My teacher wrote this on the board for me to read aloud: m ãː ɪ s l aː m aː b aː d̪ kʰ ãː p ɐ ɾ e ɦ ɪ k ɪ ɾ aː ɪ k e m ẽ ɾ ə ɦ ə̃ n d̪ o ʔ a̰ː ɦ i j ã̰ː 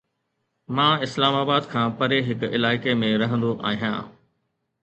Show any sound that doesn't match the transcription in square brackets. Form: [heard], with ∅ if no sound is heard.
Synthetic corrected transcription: m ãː ɪ s l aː m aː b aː d̪ kʰ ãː p ɐ ɾ e ɦ ɪ k ɪ [l] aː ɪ k e m ẽ ɾ [ɐ] ɦ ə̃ n d̪ o ʔ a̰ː ɦ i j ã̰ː